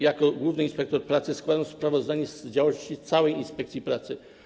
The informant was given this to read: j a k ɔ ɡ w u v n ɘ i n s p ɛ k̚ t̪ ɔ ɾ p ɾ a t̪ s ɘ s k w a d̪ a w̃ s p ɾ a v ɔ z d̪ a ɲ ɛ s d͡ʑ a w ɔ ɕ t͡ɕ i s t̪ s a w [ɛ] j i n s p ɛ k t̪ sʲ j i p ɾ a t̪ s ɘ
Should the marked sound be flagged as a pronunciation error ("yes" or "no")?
no